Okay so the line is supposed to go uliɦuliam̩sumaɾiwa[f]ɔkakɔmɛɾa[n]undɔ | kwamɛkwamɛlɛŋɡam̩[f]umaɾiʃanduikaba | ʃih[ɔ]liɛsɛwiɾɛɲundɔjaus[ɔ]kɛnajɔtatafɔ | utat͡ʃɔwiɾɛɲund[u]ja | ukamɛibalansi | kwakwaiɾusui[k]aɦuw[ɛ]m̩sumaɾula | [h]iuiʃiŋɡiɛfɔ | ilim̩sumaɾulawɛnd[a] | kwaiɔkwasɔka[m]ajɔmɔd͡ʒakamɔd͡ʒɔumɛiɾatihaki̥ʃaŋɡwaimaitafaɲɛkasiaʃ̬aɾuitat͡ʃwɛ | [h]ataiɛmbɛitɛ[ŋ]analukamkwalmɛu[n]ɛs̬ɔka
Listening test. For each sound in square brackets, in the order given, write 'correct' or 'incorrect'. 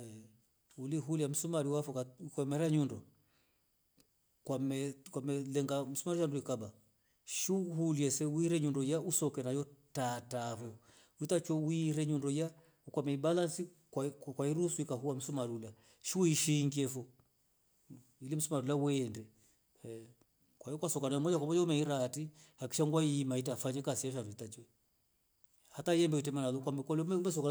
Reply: correct, incorrect, incorrect, incorrect, correct, incorrect, correct, incorrect, incorrect, incorrect, incorrect, correct, incorrect, incorrect

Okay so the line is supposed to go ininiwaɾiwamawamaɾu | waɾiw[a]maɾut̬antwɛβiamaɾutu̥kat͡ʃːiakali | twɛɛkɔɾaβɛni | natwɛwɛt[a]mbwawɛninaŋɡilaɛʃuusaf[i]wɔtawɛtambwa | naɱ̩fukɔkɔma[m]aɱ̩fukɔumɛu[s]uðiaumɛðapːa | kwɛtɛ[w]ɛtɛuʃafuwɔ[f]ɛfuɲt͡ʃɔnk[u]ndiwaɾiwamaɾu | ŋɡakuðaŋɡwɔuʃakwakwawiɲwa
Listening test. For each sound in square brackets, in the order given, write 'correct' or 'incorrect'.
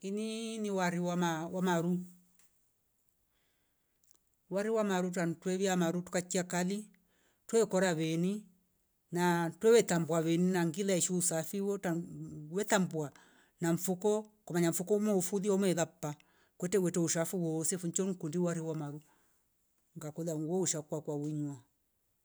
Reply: correct, correct, correct, incorrect, incorrect, correct, incorrect, correct

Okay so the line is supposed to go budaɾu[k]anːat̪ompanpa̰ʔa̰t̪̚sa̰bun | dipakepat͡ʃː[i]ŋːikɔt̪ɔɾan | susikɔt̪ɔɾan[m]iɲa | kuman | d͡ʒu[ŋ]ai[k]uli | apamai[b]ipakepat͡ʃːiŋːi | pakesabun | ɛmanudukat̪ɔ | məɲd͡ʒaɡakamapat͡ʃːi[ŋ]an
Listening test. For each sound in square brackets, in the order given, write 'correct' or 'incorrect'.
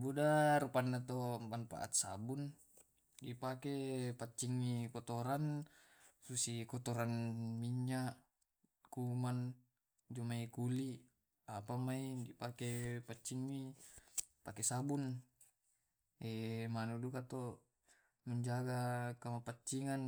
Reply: incorrect, correct, correct, incorrect, correct, incorrect, correct

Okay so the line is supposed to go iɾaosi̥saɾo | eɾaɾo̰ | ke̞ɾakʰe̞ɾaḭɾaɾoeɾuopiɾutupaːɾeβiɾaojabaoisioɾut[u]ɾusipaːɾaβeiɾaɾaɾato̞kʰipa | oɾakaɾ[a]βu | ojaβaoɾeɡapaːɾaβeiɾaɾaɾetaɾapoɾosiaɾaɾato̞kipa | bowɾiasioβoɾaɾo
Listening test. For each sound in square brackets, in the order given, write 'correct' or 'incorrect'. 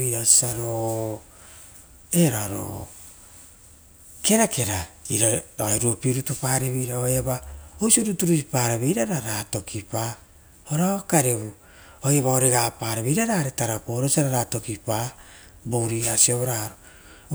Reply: correct, incorrect

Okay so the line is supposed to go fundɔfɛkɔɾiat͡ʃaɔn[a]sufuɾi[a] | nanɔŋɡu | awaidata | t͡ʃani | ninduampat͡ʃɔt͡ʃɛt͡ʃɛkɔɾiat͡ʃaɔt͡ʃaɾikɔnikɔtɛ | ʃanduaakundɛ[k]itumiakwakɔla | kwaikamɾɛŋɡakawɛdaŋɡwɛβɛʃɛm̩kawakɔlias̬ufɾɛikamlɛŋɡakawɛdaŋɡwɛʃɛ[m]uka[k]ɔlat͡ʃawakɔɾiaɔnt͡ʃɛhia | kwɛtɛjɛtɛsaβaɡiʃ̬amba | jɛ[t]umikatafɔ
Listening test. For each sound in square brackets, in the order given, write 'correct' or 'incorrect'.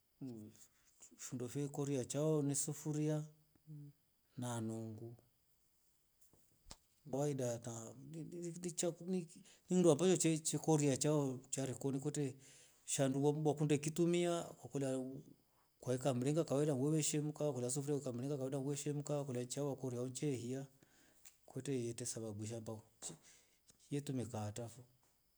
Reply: incorrect, correct, correct, correct, correct, correct

